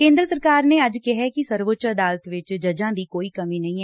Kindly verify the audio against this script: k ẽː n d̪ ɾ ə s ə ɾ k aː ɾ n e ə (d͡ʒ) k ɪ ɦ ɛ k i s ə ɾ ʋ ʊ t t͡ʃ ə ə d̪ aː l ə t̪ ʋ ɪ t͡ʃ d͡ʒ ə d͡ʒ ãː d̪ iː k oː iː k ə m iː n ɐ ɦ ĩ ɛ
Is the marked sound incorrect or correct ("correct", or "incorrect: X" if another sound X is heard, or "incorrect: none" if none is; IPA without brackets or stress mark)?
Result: correct